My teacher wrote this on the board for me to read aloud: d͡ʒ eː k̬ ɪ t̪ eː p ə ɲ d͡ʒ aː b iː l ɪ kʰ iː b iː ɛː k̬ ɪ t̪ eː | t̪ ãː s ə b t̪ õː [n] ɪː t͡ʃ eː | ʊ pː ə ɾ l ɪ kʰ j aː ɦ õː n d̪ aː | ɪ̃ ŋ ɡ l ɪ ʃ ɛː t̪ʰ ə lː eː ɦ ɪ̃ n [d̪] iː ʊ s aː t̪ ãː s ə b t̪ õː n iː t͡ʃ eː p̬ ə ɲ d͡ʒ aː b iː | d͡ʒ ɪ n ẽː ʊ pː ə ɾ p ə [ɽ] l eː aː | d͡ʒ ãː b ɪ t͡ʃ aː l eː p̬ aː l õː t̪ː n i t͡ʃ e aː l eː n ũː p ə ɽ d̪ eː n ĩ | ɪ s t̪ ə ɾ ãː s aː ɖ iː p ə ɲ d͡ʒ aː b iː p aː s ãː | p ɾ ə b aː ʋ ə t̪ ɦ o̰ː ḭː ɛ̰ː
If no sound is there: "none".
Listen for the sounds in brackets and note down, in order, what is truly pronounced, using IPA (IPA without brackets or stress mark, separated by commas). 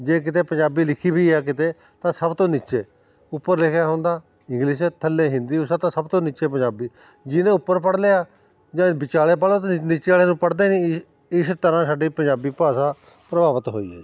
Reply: n, d̪, ɽ